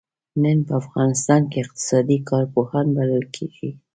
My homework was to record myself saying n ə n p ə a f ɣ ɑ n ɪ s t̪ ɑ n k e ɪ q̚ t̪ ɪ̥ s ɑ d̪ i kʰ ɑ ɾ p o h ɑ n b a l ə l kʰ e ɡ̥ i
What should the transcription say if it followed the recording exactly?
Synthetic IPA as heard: n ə n p ə a f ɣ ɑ n ɪ s t̪ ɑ n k e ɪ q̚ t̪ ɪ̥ s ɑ d̪ i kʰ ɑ ɾ p o h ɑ n b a l ə l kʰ e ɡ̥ i